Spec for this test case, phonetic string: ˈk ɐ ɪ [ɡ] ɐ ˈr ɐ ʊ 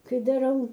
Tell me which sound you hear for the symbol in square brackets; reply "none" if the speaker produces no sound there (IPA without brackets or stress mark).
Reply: d